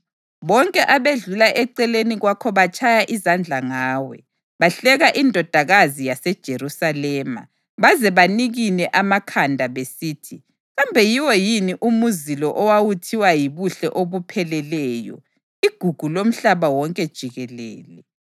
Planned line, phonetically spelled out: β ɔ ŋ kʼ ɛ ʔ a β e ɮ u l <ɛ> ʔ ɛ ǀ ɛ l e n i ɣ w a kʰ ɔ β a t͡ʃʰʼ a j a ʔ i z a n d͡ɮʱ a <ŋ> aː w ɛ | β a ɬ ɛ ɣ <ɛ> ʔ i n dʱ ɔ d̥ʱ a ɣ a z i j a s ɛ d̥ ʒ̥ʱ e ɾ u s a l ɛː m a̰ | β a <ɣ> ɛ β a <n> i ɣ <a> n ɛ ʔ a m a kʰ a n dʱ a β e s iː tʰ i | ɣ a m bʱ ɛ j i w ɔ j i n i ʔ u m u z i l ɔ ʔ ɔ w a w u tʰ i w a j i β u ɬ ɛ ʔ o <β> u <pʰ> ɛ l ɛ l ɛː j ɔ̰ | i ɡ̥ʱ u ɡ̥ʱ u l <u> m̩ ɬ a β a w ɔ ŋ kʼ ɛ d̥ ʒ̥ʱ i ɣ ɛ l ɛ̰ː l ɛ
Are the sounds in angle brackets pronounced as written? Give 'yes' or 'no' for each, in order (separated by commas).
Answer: no, yes, no, no, yes, no, yes, yes, no